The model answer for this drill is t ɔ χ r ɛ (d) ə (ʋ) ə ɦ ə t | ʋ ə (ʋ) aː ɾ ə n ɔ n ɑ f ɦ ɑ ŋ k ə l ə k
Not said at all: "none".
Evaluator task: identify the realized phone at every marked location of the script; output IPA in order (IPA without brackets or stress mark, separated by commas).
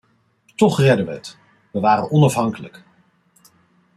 d, ʋ, ʋ